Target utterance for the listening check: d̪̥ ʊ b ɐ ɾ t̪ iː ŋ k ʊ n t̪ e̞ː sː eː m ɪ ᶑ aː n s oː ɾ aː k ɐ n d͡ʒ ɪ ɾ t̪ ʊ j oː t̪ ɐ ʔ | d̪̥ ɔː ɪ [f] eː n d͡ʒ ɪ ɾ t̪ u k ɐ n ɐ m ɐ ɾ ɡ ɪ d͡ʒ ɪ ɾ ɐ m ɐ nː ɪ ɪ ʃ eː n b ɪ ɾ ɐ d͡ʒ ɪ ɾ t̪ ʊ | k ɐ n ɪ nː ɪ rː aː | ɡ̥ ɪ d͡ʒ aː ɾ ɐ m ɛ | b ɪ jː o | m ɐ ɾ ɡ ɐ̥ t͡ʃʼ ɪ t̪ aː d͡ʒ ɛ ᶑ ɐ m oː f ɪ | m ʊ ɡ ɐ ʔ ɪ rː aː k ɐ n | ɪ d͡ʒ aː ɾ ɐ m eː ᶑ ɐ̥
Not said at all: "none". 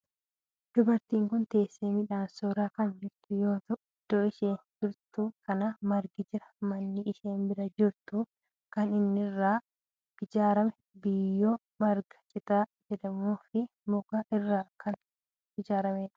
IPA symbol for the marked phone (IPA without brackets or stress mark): ʃ